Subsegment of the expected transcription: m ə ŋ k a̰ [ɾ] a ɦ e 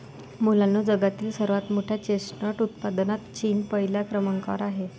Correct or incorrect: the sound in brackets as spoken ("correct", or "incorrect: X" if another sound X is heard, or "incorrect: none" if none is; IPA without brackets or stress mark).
correct